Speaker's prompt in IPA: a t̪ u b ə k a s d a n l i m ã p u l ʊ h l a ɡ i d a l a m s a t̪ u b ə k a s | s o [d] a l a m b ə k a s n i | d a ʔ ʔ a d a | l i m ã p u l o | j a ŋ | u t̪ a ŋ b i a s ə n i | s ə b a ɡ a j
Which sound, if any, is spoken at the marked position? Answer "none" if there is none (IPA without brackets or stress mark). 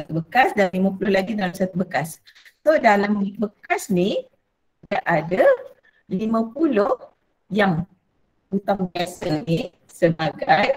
d